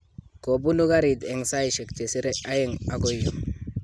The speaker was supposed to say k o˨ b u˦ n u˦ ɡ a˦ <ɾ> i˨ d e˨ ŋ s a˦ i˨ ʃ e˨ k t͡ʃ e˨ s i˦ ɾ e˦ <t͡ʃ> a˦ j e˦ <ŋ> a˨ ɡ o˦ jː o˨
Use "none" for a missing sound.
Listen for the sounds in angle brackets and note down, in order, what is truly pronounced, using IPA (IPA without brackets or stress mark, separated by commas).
ɾ, none, ŋ